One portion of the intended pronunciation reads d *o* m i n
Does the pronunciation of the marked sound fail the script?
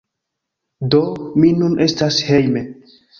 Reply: no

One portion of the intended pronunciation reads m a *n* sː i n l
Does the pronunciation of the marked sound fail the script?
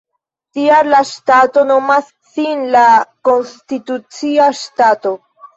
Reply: yes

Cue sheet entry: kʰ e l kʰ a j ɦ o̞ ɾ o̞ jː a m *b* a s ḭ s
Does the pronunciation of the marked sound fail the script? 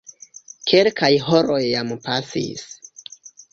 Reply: yes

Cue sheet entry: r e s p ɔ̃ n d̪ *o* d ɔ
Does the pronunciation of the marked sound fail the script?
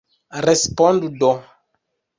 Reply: yes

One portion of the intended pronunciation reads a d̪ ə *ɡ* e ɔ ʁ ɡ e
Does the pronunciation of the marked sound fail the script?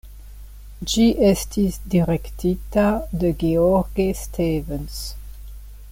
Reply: no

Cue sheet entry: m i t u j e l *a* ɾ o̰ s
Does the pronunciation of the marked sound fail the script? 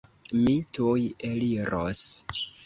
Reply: yes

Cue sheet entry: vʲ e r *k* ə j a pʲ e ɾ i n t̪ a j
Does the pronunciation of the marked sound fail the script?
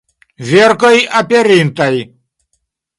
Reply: no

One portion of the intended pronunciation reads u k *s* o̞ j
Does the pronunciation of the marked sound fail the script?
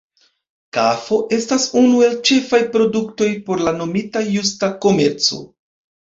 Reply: yes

